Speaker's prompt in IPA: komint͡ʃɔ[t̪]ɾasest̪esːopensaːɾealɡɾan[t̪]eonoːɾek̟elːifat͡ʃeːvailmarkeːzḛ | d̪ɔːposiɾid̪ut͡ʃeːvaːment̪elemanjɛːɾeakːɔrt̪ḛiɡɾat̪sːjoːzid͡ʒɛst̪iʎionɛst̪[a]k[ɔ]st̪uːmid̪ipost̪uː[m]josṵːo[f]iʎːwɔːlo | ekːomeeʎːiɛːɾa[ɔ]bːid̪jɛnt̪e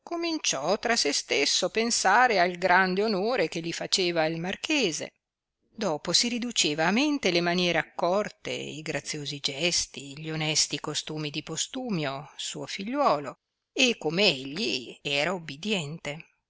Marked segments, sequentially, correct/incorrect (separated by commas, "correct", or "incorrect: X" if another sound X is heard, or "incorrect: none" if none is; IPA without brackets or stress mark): correct, incorrect: d̪, incorrect: i, incorrect: o, correct, correct, incorrect: u